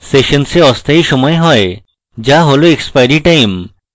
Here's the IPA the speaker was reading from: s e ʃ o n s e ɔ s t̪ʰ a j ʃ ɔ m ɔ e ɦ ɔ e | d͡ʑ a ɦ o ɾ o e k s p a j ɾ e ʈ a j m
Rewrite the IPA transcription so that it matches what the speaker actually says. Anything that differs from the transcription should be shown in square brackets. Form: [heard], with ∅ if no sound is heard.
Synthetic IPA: s e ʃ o n s e ɔ s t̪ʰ a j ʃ ɔ m ɔ e ɦ ɔ e | d͡ʑ a ɦ o [l] o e k s p a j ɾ [i] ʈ a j m